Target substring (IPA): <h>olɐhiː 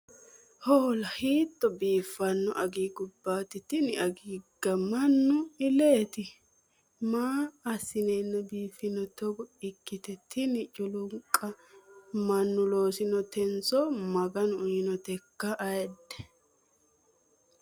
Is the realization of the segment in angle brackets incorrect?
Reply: no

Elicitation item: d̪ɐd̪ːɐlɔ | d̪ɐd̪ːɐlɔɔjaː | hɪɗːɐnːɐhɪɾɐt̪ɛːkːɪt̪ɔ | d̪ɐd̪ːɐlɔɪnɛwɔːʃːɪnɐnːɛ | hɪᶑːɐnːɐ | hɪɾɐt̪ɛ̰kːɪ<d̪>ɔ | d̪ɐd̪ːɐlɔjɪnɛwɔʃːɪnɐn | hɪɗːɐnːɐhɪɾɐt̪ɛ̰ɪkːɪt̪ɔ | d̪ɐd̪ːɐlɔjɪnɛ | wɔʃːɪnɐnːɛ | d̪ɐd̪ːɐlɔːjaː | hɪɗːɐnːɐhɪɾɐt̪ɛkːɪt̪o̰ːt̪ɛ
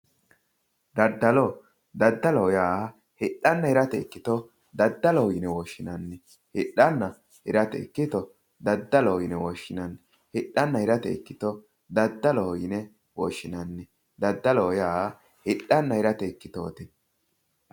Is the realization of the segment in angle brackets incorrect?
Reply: yes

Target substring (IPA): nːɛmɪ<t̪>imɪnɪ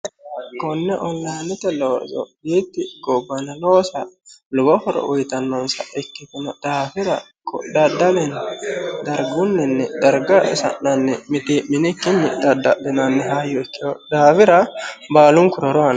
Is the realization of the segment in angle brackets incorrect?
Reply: no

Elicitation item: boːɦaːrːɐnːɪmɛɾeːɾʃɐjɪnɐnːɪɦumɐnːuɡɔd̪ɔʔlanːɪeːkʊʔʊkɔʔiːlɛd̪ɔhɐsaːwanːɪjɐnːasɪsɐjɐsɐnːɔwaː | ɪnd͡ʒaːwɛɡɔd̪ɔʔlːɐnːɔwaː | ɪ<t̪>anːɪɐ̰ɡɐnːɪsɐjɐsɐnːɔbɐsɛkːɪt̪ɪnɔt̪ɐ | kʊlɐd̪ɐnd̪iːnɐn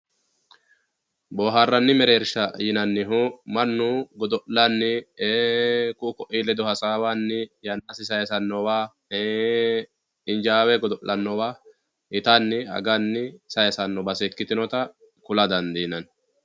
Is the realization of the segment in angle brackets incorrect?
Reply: no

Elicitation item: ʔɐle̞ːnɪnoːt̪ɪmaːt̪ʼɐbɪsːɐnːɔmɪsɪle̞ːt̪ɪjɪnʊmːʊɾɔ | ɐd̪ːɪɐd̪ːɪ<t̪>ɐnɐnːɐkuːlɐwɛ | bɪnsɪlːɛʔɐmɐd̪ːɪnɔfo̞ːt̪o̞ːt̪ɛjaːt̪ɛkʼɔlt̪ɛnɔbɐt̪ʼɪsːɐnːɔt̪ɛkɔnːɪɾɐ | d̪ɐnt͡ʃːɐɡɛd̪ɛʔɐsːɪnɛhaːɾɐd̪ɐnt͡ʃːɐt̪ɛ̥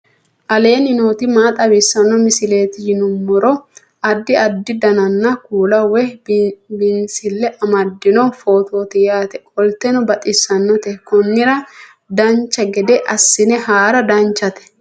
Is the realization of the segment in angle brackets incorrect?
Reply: yes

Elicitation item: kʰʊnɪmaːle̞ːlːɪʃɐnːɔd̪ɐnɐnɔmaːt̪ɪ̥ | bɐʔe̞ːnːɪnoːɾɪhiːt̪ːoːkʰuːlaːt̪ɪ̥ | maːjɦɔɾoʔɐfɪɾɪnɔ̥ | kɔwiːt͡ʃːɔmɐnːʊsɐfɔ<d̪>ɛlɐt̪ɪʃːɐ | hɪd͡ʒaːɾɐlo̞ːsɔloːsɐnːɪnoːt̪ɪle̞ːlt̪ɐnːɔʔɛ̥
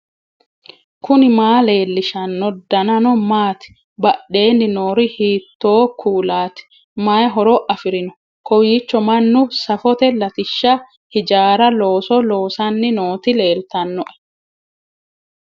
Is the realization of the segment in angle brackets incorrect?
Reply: yes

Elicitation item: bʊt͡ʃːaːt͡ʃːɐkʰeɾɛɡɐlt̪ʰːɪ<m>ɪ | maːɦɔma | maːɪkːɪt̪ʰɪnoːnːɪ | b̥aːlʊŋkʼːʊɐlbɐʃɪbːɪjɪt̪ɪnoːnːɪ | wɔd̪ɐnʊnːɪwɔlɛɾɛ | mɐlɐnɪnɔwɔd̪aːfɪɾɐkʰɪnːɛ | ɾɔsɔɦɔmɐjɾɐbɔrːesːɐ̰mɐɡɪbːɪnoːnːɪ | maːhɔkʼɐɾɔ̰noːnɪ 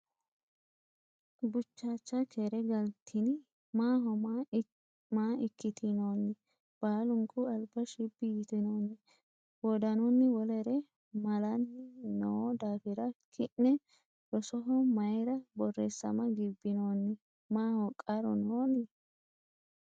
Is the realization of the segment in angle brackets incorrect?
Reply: yes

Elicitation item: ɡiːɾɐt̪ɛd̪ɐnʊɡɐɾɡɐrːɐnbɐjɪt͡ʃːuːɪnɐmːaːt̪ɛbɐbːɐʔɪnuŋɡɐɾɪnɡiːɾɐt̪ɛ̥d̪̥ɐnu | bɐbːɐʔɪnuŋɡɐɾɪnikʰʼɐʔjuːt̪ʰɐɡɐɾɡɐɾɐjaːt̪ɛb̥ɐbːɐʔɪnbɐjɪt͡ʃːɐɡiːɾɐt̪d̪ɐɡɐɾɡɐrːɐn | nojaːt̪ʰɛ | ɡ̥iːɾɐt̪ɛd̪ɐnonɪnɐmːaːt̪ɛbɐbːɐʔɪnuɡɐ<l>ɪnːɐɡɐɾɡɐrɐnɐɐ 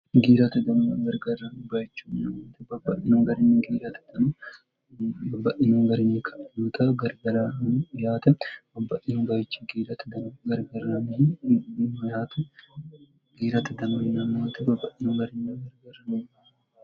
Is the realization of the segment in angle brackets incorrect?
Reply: yes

